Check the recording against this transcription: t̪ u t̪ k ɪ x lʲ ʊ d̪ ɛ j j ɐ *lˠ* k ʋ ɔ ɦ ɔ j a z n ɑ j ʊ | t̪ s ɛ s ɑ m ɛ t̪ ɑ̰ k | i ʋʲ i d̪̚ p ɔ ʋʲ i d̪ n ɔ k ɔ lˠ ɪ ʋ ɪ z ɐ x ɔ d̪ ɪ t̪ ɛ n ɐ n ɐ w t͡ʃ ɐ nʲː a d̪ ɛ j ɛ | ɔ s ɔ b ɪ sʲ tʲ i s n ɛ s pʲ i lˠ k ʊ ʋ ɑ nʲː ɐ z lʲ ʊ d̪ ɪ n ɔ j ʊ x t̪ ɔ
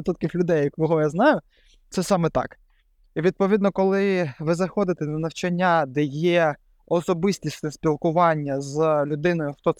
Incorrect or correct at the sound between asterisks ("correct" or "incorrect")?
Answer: incorrect